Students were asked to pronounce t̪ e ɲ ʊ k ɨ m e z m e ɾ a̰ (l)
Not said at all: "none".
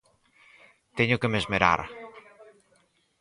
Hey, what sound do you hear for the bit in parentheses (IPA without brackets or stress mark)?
ɾ